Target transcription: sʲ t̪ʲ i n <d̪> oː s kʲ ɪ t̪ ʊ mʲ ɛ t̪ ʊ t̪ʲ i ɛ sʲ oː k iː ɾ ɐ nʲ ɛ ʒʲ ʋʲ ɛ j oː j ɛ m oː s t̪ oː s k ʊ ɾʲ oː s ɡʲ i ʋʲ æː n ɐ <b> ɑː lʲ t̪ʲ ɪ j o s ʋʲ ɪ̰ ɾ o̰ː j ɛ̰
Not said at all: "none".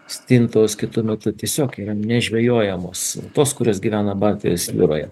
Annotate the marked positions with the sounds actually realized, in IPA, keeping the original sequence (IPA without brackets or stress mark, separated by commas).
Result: t̪, b